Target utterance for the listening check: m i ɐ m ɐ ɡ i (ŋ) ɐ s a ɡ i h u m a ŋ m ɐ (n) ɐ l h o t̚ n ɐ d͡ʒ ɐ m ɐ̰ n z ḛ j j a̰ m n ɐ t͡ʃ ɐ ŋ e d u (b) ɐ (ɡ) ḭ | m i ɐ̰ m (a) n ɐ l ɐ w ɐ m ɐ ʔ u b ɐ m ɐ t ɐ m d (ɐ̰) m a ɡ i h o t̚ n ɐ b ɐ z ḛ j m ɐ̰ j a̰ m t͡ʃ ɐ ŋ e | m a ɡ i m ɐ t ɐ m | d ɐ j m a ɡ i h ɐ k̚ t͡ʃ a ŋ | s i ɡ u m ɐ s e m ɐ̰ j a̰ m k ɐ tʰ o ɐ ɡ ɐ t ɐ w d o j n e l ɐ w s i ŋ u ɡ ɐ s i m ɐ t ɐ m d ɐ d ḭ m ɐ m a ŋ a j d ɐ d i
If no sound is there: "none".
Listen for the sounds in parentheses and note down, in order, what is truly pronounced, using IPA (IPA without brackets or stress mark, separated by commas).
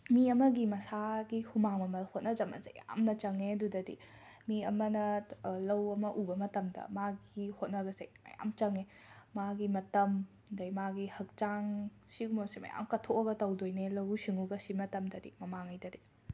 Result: m, m, d, d, ɐ, ɐ̰